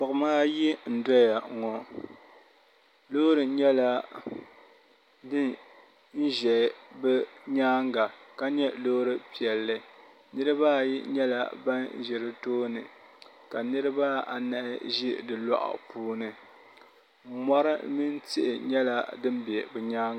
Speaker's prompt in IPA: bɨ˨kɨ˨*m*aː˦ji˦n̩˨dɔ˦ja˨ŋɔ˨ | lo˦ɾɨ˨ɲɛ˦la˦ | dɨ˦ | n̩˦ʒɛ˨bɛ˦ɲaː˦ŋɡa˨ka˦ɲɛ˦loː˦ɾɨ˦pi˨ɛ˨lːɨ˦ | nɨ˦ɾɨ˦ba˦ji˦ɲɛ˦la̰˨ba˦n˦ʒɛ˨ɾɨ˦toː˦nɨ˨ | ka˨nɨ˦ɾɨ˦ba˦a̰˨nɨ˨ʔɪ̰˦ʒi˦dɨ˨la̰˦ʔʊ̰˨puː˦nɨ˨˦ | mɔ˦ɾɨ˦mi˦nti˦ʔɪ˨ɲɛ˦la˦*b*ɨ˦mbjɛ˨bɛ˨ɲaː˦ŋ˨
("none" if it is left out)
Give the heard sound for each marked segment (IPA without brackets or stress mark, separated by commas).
m, d